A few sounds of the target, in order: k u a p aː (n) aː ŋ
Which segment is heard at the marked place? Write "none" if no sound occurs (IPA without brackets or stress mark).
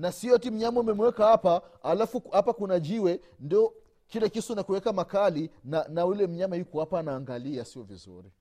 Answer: n